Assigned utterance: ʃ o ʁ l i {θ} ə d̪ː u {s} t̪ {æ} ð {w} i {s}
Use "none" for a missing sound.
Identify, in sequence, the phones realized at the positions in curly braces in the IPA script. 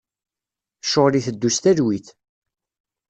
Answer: θ, s, æ, w, θ

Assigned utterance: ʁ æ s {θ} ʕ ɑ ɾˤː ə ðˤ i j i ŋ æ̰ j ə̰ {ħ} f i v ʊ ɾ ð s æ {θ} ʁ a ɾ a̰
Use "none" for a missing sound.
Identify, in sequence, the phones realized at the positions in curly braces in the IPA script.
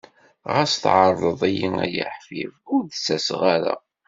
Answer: θ, ħ, s

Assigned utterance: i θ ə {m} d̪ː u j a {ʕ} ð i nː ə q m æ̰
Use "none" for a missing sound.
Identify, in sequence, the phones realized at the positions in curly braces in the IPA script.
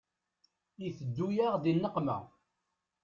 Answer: none, ʁ

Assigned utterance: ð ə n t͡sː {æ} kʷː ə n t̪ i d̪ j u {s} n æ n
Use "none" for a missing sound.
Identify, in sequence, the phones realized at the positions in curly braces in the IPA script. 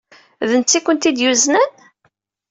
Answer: i, z

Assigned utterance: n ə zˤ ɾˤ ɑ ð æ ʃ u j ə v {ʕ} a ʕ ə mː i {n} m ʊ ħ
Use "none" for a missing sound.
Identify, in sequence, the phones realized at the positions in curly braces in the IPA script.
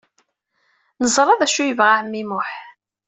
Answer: ʁ, none

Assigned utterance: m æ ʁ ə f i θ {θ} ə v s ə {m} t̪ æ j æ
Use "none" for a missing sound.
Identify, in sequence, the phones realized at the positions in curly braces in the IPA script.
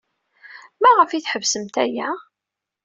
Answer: ħ, m

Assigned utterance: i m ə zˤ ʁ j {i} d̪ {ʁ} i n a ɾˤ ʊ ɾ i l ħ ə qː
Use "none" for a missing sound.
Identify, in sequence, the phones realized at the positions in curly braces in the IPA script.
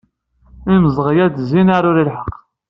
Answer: æ, z

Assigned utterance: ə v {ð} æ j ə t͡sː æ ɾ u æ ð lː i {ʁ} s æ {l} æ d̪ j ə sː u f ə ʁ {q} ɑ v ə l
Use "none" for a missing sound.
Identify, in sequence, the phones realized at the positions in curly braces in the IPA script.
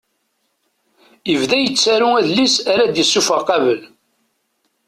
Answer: ð, none, ɾ, q

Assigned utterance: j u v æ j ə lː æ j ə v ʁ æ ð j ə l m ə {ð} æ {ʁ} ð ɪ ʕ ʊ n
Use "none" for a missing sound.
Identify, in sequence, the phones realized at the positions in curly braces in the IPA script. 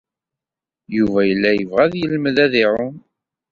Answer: ð, none

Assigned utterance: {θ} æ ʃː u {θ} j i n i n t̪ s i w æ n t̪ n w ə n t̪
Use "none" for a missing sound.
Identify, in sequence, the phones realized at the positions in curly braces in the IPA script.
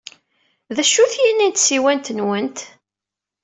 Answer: ð, θ

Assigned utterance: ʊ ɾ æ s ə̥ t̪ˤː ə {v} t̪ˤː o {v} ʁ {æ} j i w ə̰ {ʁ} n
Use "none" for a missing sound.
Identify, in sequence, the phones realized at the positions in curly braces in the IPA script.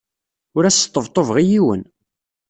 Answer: v, v, i, none

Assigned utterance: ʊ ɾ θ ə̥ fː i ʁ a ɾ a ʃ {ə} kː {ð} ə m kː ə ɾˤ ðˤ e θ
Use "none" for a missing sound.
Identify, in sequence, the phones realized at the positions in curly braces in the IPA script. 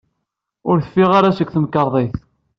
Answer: ə, θ

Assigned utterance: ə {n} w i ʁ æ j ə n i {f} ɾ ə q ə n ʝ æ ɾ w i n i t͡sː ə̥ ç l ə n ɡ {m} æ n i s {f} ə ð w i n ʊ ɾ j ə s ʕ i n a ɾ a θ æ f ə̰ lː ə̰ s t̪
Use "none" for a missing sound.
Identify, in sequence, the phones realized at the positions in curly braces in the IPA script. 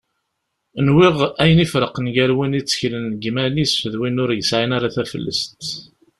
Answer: n, f, m, f

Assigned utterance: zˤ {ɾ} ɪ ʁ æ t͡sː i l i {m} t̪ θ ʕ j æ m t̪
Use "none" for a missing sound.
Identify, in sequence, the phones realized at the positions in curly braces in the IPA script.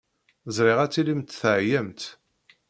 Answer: ɾ, m

